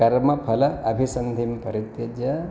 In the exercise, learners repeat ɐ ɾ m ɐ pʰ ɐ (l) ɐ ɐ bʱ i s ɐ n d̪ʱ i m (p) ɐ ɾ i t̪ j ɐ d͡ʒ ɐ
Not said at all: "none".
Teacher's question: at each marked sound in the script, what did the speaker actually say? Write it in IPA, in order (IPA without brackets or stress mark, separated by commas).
l, p